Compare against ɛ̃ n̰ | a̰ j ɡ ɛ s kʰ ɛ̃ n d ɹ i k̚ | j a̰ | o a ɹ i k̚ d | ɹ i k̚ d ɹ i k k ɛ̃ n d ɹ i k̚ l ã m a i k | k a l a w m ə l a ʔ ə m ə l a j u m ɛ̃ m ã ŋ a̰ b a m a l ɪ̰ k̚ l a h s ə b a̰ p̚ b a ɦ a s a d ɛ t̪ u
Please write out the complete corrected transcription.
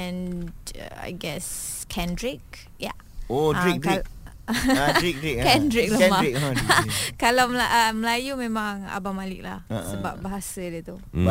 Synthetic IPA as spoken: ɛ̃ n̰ | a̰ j ɡ ɛ s kʰ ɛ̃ n d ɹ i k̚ | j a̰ | o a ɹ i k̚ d | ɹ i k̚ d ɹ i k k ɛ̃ n d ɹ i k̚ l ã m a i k | k a l a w m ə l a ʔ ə m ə l a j u m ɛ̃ m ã ŋ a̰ b a m a l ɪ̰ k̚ l a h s ə b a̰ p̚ b a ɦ a s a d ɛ t̪ u